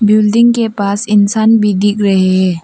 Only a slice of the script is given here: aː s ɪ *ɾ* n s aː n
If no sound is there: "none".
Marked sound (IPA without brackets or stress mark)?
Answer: none